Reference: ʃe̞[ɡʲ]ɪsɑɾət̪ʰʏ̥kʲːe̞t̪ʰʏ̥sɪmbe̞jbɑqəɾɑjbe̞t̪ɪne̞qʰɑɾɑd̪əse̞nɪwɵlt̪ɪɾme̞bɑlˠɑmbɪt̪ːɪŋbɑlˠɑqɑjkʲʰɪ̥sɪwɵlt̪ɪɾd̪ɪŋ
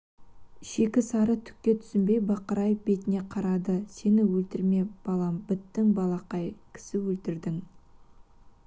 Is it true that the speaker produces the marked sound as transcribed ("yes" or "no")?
no